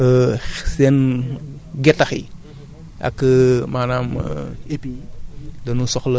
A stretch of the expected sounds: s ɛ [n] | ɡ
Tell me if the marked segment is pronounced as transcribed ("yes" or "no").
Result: yes